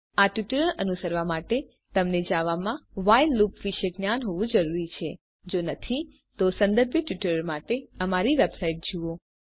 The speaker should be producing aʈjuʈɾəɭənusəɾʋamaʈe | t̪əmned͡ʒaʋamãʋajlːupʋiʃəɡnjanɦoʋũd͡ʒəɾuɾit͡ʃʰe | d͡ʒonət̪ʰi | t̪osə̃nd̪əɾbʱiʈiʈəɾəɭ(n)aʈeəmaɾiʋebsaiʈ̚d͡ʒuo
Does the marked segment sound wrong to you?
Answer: yes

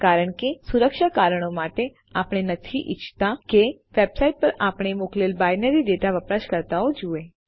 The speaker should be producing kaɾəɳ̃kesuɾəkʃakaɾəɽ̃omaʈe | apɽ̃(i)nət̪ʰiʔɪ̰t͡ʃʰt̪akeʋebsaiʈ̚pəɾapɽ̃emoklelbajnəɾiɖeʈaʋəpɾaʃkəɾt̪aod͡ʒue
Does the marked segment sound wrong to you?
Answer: yes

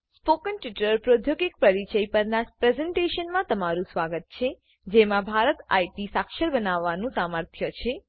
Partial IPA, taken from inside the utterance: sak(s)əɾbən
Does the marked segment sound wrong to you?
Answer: yes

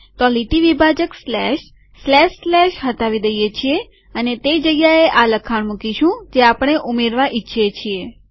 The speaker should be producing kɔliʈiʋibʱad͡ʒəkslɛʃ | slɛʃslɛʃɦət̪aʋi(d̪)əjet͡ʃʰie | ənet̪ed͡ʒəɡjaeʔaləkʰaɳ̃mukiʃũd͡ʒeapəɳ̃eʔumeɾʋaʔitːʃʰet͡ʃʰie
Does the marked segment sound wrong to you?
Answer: no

